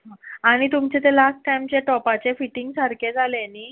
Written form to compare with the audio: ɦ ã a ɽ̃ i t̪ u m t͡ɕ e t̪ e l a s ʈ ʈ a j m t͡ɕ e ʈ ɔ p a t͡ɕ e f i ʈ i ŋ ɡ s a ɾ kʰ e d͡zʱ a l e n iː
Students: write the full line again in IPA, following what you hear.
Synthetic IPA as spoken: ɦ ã a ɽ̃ i t̪ u m t͡ɕ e t̪ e l a s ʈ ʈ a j m t͡ɕ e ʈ ɔ p a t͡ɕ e f i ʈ i ŋ ɡ s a ɾ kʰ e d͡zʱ a l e n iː

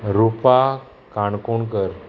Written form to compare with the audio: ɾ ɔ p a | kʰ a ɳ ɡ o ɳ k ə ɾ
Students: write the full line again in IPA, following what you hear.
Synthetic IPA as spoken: ɾ u p a | k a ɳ k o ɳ k ə ɾ

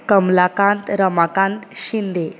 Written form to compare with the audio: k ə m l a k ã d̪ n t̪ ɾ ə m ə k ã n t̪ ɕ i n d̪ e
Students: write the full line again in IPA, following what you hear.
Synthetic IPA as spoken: k ə m l a k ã n t̪ ɾ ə m a k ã n t̪ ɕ i n d̪ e

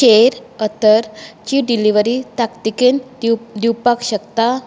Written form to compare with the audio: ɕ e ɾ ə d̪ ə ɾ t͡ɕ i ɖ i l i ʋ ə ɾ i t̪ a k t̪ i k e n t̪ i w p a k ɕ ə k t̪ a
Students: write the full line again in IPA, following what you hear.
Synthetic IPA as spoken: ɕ e ɾ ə t̪ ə ɾ t͡ɕ i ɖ i l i ʋ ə ɾ i t̪ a k t̪ i k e n d̪ i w p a k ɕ ə k t̪ a

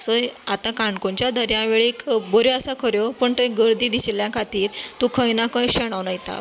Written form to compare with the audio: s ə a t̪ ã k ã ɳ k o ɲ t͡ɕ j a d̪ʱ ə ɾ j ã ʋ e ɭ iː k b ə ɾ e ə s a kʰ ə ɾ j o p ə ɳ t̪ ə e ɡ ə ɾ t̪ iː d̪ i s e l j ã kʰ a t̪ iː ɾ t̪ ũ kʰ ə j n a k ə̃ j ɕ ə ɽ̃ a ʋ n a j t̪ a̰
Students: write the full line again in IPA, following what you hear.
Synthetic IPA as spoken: s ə a t̪ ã k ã ɳ k o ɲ t͡ɕ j a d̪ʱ ə ɾ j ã ʋ e ɭ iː k b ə ɾ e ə s a kʰ ə ɾ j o p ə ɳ t̪ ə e ɡ ə ɾ d̪ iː d̪ i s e l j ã kʰ a t̪ iː ɾ t̪ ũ kʰ ə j n a k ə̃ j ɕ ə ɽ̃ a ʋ n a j t̪ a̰

